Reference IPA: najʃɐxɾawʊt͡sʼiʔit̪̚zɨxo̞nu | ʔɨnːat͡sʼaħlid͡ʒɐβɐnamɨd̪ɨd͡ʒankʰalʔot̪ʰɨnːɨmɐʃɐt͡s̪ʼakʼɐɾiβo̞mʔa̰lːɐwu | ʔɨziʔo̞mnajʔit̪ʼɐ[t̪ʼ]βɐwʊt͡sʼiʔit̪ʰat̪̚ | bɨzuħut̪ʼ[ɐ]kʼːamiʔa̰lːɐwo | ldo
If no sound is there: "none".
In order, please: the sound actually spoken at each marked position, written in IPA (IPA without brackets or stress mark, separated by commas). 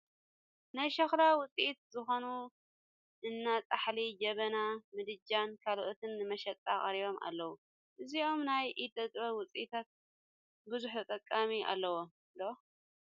t̪ʼ, ɐ